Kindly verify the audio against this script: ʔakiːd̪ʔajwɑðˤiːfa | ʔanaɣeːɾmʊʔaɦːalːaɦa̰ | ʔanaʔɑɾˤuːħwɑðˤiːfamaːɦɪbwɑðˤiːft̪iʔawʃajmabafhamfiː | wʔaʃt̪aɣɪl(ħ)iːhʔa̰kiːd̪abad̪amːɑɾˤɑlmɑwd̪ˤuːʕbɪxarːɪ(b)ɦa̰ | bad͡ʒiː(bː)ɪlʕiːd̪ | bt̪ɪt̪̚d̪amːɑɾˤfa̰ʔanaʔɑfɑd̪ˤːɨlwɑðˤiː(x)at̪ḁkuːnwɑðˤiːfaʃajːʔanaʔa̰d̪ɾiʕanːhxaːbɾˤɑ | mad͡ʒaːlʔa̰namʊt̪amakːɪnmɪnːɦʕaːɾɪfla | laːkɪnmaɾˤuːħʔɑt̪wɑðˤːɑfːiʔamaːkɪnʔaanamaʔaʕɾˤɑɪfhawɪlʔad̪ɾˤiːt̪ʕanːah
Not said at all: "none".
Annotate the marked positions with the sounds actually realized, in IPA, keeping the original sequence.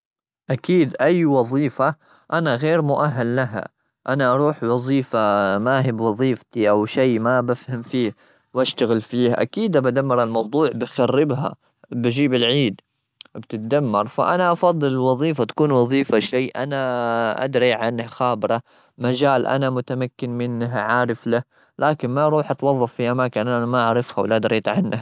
f, b, b, f

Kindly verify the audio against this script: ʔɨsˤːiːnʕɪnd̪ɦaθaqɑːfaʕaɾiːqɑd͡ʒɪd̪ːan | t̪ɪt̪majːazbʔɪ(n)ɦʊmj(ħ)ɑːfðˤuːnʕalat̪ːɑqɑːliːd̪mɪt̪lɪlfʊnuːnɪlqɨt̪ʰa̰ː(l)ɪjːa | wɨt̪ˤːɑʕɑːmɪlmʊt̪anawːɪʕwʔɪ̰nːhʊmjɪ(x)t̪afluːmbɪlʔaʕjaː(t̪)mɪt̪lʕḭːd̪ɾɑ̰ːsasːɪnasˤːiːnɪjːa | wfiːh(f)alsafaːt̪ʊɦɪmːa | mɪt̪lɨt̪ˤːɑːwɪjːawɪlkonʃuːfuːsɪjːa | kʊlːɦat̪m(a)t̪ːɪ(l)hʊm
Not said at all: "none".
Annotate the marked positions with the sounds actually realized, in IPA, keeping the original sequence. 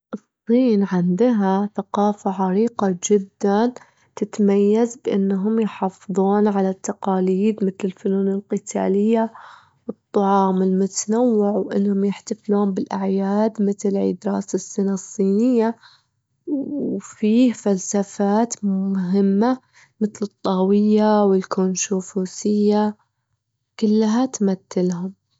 nː, ħ, l, ħ, d̪, f, a, l

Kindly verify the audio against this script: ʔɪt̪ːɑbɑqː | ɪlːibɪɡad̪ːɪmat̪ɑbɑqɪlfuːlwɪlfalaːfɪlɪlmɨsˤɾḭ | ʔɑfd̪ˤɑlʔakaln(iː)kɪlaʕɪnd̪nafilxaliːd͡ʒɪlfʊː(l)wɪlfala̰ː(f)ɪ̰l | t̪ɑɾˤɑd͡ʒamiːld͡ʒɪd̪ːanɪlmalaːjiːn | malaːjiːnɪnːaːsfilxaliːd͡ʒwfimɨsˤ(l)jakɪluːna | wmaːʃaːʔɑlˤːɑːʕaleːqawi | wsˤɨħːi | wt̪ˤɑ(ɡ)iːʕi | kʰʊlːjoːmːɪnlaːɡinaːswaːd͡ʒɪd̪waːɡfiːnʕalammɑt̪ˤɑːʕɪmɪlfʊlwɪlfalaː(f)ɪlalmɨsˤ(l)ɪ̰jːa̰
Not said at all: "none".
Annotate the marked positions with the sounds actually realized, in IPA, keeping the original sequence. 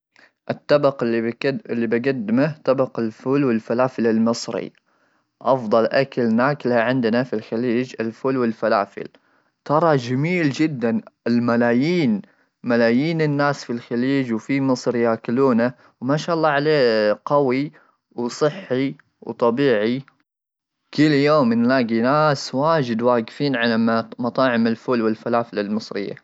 aː, l, f, ɾ, b, f, ɾ

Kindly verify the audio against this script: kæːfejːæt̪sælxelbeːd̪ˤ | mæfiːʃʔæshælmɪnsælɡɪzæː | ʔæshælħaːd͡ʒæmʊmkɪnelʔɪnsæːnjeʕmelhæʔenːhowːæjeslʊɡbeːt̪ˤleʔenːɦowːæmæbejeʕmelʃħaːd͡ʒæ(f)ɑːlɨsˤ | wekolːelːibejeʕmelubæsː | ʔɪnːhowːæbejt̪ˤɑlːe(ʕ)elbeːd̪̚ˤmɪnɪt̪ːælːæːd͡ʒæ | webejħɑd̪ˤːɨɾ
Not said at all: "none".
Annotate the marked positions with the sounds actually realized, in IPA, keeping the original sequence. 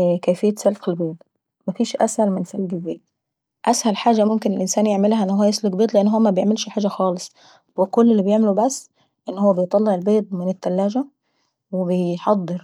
x, ʕ

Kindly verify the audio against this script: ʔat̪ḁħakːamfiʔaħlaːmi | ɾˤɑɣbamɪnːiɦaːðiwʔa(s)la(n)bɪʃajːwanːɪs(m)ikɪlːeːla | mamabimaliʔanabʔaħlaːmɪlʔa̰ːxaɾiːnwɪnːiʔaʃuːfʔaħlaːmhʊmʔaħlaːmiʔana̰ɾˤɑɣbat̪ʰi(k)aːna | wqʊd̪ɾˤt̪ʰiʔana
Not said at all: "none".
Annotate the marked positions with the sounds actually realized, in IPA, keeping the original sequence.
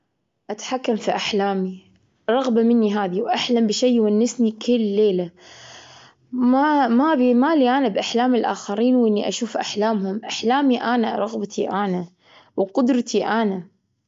ħ, m, n, ʔ

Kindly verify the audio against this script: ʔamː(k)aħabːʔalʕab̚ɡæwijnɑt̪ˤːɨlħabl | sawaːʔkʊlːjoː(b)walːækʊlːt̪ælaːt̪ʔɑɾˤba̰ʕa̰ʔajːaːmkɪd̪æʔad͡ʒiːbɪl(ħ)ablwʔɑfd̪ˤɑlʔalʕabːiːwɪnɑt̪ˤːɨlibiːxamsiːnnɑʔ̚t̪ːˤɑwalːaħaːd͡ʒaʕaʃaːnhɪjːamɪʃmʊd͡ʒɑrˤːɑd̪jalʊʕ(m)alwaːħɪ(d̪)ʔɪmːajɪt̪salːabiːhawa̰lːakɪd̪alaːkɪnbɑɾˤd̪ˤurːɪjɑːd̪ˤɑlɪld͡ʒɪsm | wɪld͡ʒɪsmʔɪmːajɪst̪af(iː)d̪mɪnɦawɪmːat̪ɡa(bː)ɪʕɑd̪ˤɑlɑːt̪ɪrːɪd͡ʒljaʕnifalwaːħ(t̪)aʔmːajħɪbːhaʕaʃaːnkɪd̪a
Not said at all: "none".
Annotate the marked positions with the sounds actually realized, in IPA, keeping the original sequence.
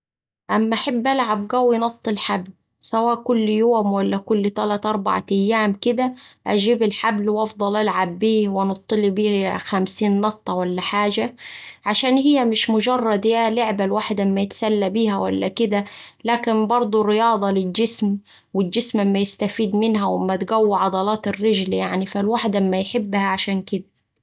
ʔ, m, ħ, b, d̪, iː, wː, d̪

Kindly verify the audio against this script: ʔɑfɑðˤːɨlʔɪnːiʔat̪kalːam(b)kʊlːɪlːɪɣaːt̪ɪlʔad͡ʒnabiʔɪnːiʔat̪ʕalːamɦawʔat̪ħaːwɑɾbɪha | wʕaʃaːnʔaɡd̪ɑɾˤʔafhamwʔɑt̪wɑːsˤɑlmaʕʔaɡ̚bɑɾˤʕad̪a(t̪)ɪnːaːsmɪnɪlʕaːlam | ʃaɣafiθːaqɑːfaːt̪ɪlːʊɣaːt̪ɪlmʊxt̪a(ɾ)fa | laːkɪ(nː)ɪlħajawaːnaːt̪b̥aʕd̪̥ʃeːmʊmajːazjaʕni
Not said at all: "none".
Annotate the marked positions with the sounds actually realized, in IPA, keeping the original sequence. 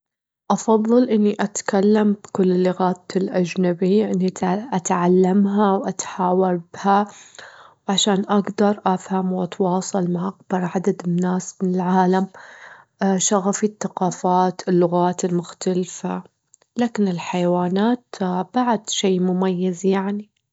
b, d̪, l, n

